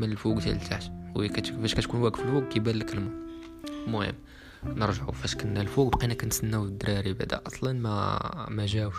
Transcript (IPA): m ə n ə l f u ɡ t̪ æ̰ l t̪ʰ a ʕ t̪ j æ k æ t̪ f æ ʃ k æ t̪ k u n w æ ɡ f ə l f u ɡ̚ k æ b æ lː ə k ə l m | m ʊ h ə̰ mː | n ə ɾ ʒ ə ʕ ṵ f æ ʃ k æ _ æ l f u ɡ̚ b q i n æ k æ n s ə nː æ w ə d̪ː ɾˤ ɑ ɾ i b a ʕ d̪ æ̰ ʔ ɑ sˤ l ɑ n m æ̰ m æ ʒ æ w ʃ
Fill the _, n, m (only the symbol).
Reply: n